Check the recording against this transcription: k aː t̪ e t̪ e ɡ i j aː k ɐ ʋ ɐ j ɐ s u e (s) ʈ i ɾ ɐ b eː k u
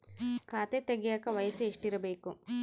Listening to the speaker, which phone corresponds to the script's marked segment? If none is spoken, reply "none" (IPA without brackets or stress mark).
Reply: ʂ